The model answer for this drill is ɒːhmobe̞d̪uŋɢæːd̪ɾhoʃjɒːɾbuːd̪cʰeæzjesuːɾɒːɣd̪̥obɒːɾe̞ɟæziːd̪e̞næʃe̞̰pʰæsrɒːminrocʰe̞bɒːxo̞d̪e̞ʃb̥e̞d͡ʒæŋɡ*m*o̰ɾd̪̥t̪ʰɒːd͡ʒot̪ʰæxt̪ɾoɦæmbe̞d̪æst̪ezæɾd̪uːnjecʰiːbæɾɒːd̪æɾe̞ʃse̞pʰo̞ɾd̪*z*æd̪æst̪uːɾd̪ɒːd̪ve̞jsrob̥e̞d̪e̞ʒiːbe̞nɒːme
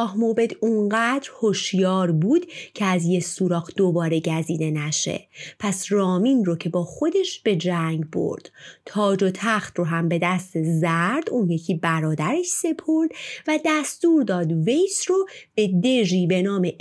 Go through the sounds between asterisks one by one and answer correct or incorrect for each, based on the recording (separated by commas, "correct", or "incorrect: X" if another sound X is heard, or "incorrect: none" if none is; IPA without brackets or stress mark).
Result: incorrect: b, incorrect: v